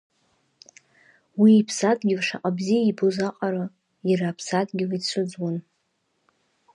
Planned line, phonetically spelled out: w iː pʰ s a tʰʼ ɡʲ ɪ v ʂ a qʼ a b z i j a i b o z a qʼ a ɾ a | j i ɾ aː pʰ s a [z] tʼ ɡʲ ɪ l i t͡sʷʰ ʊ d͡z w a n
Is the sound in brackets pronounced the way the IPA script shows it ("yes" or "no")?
no